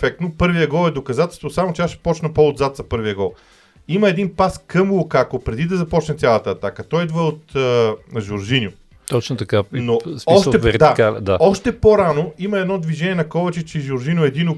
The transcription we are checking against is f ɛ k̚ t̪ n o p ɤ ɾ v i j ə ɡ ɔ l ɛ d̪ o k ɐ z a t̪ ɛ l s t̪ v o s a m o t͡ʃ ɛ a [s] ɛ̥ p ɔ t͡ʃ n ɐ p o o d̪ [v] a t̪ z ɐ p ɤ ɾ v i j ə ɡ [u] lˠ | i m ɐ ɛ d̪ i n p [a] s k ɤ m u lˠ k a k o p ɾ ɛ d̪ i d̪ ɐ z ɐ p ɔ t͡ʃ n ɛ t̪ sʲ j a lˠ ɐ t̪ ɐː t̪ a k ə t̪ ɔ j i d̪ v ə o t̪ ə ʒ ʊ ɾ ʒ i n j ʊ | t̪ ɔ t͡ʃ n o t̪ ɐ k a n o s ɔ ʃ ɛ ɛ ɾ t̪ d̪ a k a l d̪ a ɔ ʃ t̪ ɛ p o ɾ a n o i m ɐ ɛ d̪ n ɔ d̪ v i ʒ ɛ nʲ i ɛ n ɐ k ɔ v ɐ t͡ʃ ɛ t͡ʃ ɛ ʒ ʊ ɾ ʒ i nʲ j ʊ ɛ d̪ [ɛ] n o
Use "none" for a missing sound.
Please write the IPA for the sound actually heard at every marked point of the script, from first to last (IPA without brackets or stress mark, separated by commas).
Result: ʃ, z, ɔ, a, i